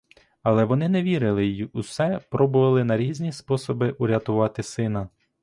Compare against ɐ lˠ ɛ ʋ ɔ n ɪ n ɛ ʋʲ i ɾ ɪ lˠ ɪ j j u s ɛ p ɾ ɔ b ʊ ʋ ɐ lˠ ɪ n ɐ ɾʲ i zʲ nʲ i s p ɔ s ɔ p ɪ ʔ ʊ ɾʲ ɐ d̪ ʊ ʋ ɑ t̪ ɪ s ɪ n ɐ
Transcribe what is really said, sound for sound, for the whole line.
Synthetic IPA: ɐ lˠ ɛ ʋ ɔ n ɪ n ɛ ʋʲ i ɾ ɪ lˠ ɪ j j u s ɛ p ɾ ɔ b ʊ ʋ ɐ lˠ ɪ n ɐ ɾʲ i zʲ nʲ i s p ɔ s ɔ b ɪ ʔ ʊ ɾʲ ɐ t̪ ʊ ʋ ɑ t̪ ɪ s ɪ n ɐ